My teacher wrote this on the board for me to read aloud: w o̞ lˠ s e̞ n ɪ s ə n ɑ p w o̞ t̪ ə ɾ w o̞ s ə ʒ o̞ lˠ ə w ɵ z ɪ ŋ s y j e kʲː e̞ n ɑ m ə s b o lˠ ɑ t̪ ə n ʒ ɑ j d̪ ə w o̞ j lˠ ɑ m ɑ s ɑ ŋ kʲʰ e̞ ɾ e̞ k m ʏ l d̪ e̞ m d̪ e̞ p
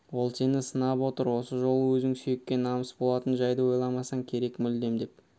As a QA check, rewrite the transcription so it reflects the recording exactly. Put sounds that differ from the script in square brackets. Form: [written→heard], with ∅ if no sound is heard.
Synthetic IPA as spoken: w o̞ lˠ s e̞ n ɪ s ə n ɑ p w o̞ t̪ ə ɾ w o̞ s ə ʒ o̞ lˠ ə w ɵ z ɪ ŋ s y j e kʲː e̞ n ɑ m ə s b o lˠ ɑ t̪ ə n ʒ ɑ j d̪ ə w o̞ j lˠ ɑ m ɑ s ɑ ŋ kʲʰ e̞ ɾ e̞ k m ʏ l d̪ e̞ m d̪ e̞ p

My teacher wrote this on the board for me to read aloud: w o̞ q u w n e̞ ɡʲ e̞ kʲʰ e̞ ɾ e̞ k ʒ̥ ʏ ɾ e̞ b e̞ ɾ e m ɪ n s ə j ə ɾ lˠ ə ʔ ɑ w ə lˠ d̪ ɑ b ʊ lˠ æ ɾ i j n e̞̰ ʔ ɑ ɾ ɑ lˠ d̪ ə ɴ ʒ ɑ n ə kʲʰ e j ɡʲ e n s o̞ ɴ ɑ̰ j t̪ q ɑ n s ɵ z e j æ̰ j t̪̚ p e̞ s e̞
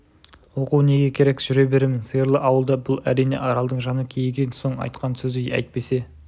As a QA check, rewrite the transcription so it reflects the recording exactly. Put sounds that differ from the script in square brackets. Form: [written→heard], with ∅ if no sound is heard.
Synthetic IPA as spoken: w o̞ q u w n e̞ ɡʲ e̞ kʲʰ e̞ ɾ e̞ k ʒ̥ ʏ ɾ e̞ b e̞ ɾ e m ɪ n s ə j ə ɾ lˠ ə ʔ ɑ w ə lˠ d̪ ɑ b ʊ lˠ æ ɾ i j n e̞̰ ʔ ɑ ɾ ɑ lˠ d̪ ə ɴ ʒ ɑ n ə kʲʰ e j ɡʲ e n s o̞ ɴ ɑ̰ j t̪ q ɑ n s ɵ z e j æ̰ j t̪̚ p e̞ s e̞

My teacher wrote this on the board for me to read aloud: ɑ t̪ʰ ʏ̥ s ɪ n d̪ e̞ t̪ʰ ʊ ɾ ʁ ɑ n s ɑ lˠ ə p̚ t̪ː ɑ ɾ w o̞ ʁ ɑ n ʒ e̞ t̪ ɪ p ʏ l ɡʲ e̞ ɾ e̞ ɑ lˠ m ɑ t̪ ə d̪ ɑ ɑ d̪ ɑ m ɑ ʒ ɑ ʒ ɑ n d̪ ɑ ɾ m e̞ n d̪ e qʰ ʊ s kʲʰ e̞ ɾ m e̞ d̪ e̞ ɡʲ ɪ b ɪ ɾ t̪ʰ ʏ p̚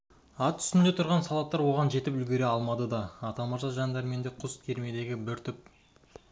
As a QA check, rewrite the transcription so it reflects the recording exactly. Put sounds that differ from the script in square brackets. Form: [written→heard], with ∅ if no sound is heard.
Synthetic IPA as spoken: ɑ t̪ʰ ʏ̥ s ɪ n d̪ e̞ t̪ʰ ʊ ɾ ʁ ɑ n s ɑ lˠ [ə→ɑ] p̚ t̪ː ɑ ɾ w o̞ ʁ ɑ n ʒ e̞ t̪ ɪ p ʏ l ɡʲ e̞ ɾ e̞ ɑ lˠ m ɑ [t̪→d̪] ə d̪ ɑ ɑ [d̪→t̪] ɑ m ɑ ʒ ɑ ʒ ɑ n d̪ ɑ ɾ m e̞ n d̪ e qʰ ʊ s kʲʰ e̞ ɾ m e̞ d̪ e̞ ɡʲ ɪ b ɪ ɾ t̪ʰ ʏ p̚

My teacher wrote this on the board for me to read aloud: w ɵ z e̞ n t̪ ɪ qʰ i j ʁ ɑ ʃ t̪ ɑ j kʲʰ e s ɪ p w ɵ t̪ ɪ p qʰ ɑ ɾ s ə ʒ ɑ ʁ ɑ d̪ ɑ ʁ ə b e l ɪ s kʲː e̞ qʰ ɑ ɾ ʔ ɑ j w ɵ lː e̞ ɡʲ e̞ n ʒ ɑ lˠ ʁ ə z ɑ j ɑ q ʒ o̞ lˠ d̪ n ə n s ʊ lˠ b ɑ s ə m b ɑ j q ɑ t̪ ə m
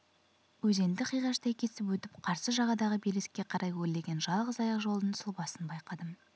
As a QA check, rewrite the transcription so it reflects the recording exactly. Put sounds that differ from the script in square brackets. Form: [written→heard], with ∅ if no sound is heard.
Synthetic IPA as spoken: w ɵ z e̞ n [t̪→d̪] ɪ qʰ i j ʁ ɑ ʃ t̪ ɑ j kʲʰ e s ɪ p w ɵ t̪ ɪ p qʰ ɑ ɾ s ə ʒ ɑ ʁ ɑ d̪ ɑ ʁ ə b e l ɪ s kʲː e̞ qʰ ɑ ɾ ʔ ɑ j w ɵ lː e̞ ɡʲ e̞ n ʒ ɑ lˠ ʁ ə z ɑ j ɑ q ʒ o̞ lˠ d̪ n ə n s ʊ lˠ b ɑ s ə [m→n] b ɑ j q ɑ [t̪→d̪] ə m

